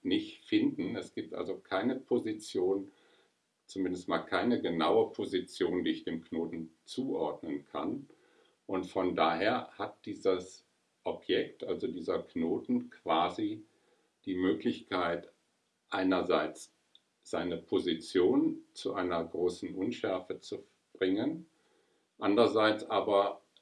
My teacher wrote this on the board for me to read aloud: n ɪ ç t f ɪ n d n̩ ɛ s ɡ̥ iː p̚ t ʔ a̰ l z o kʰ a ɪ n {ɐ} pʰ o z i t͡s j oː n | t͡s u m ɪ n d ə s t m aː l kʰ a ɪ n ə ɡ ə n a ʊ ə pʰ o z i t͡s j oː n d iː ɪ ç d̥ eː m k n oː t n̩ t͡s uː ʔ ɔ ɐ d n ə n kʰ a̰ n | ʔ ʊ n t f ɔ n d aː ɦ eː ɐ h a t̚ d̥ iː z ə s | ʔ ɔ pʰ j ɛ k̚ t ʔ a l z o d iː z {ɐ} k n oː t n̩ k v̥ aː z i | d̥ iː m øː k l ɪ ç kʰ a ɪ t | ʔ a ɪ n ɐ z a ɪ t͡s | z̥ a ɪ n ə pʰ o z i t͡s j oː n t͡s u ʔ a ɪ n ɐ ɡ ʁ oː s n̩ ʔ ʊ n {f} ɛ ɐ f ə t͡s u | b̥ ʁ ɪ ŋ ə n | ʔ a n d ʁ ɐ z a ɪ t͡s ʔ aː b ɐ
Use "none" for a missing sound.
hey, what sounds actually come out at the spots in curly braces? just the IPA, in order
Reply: ə, ɐ, ʃ

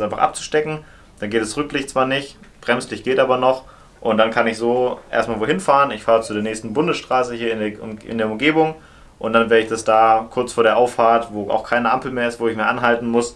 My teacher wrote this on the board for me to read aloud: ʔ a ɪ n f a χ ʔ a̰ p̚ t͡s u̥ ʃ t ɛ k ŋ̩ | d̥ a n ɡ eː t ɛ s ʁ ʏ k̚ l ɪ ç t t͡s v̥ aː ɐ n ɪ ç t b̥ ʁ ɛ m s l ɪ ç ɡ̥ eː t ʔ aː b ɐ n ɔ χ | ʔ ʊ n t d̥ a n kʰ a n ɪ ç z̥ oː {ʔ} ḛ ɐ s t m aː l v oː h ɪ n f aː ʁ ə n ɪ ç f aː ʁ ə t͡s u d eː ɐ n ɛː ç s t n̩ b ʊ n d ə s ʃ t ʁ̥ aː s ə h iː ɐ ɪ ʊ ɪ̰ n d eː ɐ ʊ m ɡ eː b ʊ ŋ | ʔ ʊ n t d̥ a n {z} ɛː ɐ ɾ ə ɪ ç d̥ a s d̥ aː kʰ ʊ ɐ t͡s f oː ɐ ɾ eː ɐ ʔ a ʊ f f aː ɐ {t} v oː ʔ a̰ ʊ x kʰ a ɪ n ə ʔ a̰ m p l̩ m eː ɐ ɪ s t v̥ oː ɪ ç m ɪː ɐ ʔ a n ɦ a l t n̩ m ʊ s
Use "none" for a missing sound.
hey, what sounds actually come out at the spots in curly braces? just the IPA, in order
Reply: ʔ, v, t

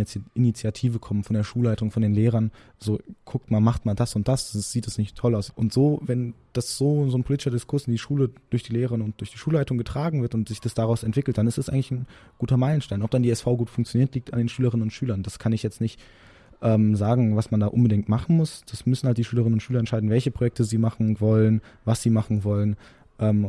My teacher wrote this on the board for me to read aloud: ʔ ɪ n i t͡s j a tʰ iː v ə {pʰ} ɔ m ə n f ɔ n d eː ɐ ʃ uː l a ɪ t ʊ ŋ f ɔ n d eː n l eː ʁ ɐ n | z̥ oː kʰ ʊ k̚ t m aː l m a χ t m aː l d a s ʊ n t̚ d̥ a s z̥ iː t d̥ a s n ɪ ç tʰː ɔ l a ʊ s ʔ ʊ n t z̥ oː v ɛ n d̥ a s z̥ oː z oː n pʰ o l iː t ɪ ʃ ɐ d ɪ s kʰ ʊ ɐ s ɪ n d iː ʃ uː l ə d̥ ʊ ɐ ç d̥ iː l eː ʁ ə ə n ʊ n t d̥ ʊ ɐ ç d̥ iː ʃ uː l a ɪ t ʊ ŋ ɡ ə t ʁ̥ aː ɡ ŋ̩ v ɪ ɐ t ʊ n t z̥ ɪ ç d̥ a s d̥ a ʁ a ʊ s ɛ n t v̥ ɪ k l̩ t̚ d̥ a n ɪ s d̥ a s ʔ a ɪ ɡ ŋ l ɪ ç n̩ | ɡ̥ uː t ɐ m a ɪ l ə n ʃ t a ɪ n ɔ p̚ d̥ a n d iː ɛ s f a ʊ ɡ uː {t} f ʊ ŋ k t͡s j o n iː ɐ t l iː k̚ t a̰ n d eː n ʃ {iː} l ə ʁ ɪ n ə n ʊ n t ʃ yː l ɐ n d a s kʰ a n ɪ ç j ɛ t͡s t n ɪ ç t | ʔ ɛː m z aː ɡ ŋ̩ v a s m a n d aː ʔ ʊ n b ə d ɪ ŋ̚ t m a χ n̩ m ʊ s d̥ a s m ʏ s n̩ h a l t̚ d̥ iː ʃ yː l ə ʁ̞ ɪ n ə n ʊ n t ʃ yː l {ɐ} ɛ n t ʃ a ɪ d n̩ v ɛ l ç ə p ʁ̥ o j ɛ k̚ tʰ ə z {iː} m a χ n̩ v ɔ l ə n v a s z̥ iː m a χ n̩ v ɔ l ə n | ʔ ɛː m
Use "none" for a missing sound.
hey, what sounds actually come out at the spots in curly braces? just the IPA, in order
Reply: kʰ, t, yː, ɐ, iː

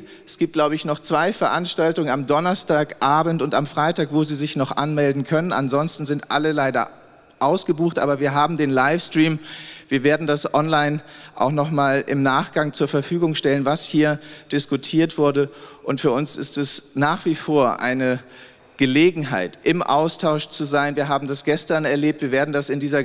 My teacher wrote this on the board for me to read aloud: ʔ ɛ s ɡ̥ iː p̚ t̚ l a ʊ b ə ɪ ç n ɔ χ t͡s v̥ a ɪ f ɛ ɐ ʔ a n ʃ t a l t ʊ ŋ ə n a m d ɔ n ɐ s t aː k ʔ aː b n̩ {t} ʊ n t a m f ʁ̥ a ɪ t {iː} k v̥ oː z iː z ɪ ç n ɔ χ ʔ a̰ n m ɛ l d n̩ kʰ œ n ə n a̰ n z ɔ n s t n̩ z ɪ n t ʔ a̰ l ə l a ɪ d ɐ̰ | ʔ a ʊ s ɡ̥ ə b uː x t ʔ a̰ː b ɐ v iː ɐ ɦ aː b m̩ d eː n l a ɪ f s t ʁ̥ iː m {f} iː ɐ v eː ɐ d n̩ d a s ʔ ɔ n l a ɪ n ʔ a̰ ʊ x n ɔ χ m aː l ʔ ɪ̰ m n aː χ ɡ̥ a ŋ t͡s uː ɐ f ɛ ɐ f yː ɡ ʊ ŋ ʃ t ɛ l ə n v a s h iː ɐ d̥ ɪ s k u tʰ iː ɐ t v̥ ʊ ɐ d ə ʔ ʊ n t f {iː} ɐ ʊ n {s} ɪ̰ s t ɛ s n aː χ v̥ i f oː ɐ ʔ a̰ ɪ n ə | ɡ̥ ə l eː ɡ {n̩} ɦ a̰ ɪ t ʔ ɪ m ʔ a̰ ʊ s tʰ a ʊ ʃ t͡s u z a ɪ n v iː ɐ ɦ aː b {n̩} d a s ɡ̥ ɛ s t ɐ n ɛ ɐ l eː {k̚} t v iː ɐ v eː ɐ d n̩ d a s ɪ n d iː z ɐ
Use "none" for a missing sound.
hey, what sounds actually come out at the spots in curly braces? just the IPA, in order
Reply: t, aː, v, yː, s, ŋ̩, m̩, p̚

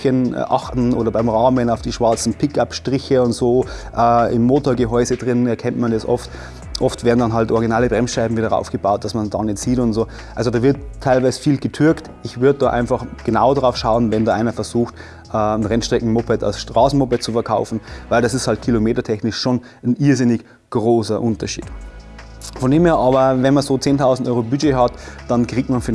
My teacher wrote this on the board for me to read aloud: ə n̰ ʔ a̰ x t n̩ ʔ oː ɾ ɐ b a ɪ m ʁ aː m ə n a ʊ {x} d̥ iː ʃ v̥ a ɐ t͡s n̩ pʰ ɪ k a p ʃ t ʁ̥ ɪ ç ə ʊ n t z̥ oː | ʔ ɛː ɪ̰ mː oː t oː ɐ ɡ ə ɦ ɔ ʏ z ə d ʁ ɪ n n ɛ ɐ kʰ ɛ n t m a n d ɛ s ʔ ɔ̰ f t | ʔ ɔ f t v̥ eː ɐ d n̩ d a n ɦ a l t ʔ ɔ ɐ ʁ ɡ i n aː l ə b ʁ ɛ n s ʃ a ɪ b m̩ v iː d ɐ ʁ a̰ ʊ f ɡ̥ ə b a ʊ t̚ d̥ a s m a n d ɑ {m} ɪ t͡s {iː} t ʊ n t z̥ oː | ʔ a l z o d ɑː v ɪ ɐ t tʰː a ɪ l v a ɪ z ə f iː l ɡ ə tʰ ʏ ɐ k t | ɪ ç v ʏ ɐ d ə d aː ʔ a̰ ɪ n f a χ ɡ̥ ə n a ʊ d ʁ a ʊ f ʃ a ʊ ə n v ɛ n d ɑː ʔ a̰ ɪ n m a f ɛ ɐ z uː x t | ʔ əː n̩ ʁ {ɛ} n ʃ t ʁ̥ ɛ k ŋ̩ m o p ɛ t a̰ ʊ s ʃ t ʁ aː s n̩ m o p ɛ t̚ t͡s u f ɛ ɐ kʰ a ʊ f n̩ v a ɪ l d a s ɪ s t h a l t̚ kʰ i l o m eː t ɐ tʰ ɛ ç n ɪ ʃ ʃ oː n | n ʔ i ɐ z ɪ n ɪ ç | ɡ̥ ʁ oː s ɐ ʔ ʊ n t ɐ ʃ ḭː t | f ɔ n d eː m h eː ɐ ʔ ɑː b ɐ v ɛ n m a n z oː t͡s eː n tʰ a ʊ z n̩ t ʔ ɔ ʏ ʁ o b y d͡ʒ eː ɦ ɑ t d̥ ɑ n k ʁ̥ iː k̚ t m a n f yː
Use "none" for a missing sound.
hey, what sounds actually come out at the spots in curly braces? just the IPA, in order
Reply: f, n, iː, ɛ

